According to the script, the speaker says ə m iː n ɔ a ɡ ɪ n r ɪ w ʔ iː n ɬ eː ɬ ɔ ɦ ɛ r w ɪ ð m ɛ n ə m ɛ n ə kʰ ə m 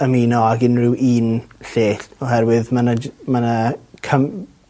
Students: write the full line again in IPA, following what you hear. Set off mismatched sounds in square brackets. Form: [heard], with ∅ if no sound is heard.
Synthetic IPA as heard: ə m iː n ɔ a ɡ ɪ n r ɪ w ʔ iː n ɬ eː ɬ ɔ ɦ ɛ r w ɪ ð m [a] n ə m [a] n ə kʰ ə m